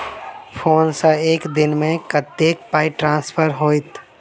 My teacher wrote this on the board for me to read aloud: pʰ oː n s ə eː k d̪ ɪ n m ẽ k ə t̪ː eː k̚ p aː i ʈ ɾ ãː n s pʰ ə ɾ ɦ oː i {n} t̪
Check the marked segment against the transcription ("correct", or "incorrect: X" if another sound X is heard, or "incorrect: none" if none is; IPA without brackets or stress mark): incorrect: none